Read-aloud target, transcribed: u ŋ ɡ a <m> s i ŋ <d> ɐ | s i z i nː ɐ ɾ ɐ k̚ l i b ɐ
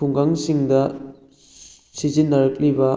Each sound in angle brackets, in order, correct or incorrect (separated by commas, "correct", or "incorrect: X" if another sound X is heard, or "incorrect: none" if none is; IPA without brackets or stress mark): incorrect: ŋ, correct